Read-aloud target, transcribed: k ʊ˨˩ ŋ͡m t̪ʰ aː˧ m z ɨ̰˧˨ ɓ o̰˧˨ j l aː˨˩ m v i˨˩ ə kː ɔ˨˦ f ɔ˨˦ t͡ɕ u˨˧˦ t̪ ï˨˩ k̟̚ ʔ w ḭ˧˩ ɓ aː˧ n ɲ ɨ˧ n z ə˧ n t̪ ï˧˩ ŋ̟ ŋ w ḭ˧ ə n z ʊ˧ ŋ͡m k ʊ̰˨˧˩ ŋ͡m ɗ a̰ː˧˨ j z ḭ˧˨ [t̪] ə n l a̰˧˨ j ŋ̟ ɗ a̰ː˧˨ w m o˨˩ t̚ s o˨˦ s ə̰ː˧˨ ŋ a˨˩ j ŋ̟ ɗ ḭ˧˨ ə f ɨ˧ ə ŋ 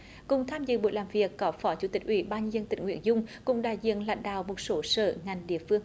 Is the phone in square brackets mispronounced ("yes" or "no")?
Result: yes